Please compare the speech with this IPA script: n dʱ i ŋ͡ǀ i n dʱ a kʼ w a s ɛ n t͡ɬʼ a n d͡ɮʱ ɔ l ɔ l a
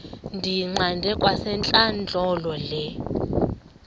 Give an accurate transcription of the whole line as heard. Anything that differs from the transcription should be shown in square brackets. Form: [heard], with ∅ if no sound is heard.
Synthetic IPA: n dʱ i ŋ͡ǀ [a] n dʱ [ɛ] kʼ w a s ɛ n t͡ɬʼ a n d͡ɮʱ ɔ l ɔ l [ɛ]